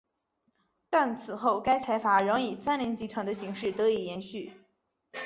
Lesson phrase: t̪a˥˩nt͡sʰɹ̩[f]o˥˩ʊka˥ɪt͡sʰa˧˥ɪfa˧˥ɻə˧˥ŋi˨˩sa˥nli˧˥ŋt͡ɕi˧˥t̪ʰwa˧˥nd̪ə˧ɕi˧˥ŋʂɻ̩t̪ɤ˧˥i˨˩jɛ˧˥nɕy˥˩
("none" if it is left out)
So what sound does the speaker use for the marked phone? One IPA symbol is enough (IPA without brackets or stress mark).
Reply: x